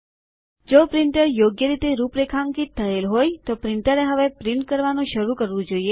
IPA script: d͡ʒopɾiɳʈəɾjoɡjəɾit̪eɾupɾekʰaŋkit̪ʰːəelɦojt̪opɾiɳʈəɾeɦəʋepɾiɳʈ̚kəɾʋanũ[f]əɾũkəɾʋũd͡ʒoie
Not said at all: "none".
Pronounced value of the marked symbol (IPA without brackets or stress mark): ʃ